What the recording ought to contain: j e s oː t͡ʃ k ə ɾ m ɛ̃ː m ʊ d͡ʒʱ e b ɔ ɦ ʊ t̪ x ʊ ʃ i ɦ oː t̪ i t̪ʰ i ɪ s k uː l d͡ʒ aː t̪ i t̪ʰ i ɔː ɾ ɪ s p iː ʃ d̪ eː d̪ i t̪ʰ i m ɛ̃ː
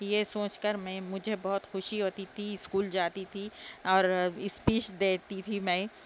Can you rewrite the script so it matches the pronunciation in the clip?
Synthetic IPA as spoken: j e s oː t͡ʃ k ə ɾ m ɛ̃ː m ʊ d͡ʒʱ e b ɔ ɦ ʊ t̪ x ʊ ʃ i ɦ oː t̪ i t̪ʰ i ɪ s k uː l d͡ʒ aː t̪ i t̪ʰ i ɔː ɾ ɪ s p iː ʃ d̪ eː t̪ i t̪ʰ i m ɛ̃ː